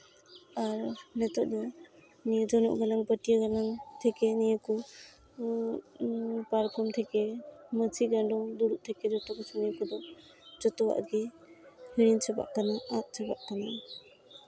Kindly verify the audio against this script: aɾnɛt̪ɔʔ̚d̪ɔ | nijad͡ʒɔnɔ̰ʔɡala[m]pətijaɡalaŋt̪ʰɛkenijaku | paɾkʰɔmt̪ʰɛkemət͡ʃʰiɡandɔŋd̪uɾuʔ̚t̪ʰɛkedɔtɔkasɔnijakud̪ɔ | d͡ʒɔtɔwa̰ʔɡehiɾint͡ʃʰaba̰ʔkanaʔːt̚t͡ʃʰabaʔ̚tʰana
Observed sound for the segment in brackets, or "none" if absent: ŋ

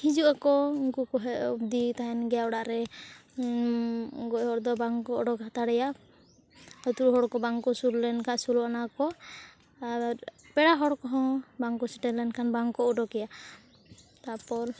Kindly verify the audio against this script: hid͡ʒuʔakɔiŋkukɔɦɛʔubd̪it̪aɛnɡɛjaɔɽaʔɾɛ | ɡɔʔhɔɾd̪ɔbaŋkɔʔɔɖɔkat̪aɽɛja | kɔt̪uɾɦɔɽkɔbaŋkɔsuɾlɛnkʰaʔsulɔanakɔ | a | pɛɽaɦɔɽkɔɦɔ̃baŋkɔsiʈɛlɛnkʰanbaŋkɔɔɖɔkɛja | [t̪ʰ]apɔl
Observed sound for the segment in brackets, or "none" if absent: t̪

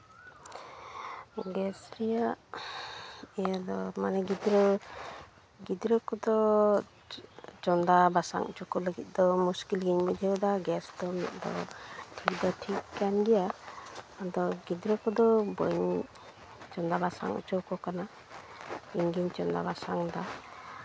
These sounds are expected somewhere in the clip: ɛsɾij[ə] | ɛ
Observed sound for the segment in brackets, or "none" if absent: a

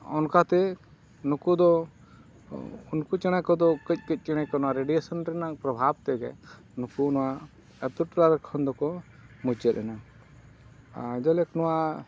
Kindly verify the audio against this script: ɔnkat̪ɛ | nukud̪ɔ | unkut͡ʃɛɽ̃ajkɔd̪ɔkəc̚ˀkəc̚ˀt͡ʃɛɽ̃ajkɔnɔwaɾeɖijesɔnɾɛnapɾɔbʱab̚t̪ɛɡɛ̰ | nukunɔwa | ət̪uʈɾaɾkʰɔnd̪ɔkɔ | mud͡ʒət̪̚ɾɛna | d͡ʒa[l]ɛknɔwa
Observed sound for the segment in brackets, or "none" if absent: l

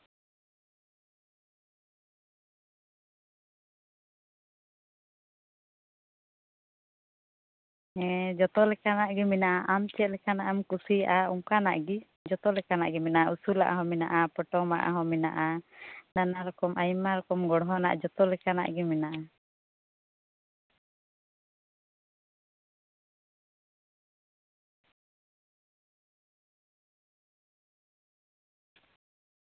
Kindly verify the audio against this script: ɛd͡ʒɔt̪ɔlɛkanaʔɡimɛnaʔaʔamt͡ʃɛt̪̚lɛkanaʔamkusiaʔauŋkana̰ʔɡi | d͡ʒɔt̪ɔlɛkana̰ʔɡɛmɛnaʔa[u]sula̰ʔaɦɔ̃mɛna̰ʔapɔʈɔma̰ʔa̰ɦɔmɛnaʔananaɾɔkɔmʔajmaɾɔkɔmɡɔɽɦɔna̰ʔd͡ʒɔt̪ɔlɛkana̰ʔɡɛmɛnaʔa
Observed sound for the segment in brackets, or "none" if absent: u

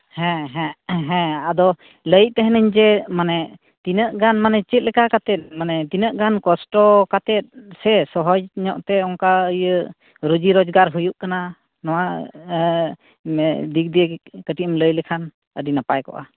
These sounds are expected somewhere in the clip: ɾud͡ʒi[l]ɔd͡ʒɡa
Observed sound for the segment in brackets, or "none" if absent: ɾ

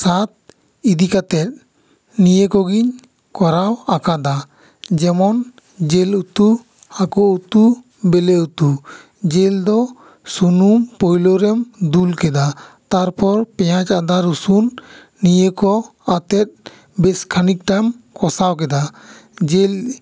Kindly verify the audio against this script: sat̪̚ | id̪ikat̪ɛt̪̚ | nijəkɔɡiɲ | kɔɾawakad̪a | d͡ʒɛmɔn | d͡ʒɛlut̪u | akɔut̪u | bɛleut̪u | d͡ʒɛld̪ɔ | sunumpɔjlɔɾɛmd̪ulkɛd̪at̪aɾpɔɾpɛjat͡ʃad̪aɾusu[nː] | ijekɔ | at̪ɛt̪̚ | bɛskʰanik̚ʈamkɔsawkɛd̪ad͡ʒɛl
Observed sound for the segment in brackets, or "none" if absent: nː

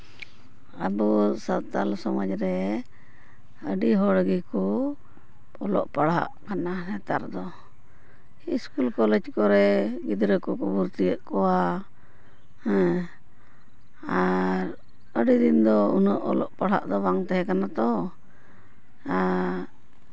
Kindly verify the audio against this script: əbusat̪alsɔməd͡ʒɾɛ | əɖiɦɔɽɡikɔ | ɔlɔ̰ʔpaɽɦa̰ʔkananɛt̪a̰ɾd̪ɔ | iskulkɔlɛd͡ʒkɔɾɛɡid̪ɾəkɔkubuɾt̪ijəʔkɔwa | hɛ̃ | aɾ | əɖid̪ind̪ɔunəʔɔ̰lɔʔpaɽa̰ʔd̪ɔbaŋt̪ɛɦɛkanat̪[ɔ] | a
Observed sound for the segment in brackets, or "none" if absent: ɔ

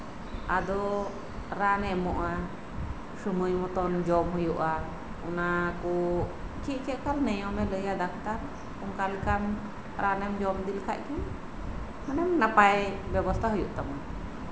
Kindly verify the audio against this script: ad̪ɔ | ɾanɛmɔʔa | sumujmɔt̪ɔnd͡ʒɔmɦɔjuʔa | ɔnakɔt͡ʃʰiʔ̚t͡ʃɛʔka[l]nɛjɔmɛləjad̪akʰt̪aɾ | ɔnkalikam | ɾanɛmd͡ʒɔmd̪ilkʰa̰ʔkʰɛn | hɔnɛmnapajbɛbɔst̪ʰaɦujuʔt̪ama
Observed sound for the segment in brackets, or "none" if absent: l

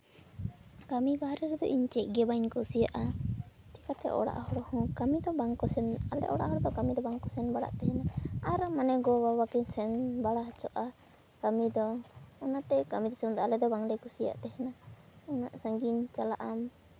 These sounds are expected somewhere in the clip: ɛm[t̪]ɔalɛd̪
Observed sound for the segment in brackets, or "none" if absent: d̪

